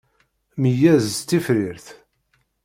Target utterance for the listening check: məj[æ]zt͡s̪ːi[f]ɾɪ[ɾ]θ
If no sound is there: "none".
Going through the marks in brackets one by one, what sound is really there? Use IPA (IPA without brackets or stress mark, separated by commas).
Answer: æ, f, ɾ